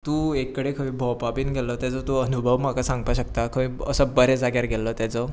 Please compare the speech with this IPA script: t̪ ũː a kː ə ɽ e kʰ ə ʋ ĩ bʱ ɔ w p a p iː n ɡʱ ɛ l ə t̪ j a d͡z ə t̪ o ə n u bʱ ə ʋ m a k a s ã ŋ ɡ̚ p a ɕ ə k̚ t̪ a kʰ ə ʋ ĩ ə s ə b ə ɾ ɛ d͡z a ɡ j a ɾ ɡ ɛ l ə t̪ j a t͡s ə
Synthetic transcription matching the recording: t̪ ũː e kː ə ɽ e kʰ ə ʋ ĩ bʱ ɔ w p a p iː n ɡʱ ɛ l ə t̪ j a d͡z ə t̪ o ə n u bʱ ə ʋ m a k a s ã ŋ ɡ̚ p a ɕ ə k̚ t̪ a kʰ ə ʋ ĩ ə s ə b ə ɾ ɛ d͡z a ɡ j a ɾ ɡ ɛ l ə t̪ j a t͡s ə